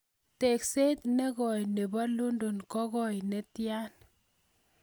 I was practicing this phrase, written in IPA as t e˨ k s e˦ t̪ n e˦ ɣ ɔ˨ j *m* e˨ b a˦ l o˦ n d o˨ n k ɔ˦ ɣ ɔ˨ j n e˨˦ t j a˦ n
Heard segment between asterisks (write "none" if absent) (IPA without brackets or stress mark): n